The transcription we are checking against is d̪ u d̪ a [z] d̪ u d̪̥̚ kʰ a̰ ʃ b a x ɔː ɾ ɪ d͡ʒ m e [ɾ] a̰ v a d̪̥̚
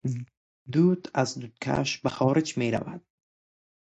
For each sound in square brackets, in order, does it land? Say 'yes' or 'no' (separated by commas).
yes, yes